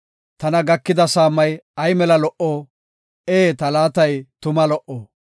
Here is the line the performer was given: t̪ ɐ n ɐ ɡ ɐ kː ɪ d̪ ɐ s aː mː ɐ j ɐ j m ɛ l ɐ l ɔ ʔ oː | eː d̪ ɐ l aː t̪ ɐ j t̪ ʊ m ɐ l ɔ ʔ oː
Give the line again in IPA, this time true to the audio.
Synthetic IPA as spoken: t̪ ɐ n ɐ ɡ ɐ kː ɪ d̪ ɐ s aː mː ɐ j ɐ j m ɛ l ɐ l ɔ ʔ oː | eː t̪ ɐ l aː t̪ ɐ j t̪ ʊ m ɐ l ɔ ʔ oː